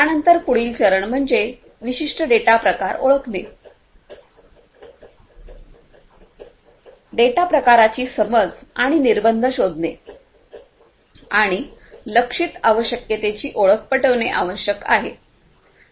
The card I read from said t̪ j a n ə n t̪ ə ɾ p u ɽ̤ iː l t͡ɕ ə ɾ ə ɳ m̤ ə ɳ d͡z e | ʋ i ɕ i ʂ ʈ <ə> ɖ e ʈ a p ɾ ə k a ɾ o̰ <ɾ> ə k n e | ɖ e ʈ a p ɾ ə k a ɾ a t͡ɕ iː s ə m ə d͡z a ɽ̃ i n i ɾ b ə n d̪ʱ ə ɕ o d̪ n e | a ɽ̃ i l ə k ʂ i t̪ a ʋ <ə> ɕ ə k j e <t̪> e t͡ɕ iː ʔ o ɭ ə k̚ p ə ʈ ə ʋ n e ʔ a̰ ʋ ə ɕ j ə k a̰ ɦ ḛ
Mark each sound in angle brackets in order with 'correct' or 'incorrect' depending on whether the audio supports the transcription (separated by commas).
correct, incorrect, correct, correct